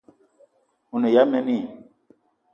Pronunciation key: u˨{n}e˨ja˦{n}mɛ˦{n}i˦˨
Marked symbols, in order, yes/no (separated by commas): yes, no, yes